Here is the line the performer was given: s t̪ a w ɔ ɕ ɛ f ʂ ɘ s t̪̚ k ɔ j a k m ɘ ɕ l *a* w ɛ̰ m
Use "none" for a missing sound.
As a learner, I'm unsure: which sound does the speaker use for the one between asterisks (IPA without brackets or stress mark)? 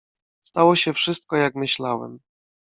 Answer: a